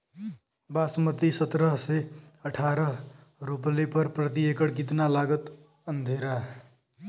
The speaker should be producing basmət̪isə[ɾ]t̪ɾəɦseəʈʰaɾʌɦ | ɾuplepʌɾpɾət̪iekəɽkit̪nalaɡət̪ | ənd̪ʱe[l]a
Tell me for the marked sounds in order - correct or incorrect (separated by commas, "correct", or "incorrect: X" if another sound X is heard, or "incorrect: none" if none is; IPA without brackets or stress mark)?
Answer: incorrect: none, incorrect: ɾ